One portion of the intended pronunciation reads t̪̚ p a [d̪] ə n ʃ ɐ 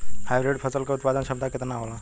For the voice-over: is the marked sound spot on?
yes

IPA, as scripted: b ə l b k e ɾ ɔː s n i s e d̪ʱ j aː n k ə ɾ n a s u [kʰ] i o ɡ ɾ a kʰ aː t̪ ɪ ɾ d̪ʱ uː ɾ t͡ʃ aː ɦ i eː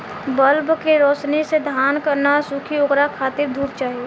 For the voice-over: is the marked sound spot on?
yes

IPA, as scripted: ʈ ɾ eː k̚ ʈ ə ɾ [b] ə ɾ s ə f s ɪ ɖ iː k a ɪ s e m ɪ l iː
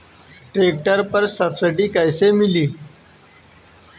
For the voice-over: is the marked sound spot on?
no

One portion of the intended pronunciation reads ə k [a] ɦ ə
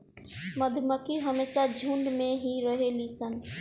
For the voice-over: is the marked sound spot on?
no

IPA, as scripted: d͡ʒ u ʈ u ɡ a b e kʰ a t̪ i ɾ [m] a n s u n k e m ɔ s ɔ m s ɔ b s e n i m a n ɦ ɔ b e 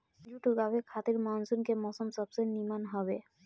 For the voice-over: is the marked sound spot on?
yes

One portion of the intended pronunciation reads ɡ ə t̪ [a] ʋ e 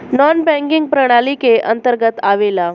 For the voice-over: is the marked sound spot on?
yes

